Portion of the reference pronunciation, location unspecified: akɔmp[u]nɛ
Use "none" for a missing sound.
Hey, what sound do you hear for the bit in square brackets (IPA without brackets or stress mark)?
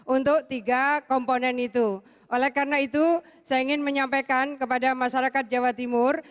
o